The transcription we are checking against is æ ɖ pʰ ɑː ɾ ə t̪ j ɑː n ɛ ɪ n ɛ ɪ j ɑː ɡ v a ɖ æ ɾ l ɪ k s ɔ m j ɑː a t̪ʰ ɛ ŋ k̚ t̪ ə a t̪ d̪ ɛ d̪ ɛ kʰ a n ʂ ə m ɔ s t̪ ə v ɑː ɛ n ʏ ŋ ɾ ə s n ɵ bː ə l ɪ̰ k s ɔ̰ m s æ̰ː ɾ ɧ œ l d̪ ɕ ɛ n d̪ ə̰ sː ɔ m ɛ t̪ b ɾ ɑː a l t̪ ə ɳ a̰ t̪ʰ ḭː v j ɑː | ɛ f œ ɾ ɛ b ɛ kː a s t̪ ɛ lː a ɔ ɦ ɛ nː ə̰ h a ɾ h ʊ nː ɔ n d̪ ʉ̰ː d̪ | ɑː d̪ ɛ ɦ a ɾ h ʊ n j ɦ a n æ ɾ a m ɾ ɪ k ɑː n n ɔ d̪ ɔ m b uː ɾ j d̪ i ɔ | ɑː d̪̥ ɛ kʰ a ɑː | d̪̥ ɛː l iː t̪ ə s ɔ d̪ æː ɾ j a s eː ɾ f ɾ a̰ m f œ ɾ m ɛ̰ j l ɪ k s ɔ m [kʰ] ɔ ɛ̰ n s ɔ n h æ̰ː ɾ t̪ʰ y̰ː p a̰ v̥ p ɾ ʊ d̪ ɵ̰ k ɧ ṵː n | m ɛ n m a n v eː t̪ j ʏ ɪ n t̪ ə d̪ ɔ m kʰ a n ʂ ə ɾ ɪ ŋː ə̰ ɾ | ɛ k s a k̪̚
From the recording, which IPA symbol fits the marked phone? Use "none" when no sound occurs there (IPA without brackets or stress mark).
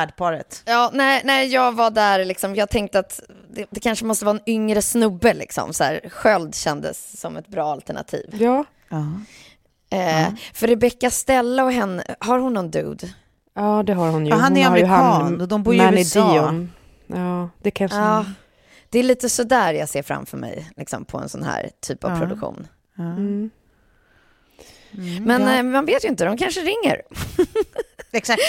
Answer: pʰ